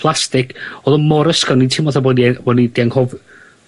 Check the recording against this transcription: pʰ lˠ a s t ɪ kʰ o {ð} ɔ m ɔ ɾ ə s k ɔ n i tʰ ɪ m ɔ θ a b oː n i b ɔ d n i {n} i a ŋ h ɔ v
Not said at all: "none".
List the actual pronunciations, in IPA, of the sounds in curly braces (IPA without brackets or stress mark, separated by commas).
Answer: ð, d